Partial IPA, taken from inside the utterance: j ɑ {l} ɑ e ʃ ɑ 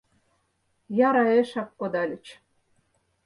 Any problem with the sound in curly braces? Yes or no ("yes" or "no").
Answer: yes